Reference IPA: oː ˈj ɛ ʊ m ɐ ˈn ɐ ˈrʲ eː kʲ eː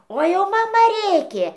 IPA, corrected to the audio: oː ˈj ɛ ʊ m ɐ ˈm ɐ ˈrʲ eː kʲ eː